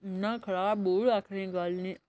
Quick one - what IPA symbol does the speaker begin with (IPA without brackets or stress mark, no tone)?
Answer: n